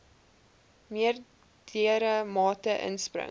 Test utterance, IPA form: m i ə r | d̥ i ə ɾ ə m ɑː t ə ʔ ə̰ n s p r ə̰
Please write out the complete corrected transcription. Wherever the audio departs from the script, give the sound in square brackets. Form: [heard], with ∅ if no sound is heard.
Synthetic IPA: m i ə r | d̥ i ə ɾ ə m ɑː t ə ʔ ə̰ n s p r ə̰